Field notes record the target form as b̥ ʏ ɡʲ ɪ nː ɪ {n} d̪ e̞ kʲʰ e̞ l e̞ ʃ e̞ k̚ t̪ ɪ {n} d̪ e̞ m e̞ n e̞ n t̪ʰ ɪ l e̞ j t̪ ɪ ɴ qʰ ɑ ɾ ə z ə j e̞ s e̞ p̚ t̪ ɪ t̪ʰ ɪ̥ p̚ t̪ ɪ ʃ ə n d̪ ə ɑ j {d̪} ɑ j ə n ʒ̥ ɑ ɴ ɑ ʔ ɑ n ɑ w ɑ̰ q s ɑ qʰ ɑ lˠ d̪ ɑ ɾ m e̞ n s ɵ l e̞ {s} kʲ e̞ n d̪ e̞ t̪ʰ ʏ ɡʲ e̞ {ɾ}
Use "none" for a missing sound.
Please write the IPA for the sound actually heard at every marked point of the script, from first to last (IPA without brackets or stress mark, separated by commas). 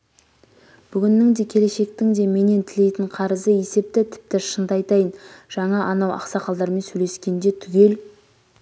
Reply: ŋ, ŋ, t̪, s, l